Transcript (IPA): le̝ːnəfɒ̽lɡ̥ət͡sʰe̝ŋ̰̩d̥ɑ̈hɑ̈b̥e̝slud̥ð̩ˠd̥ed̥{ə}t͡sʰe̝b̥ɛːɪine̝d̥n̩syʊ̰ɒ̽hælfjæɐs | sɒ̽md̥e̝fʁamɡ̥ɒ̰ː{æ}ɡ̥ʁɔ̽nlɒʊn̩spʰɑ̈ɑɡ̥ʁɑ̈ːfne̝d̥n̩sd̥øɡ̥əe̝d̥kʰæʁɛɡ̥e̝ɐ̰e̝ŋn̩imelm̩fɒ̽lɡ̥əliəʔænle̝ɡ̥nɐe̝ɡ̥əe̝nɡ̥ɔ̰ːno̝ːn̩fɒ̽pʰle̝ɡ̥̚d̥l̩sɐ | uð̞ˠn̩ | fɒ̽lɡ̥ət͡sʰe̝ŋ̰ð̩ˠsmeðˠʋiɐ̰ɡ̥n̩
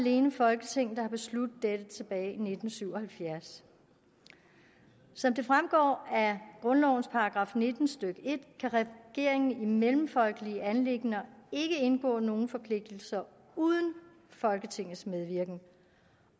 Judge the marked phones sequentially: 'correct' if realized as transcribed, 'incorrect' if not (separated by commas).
correct, correct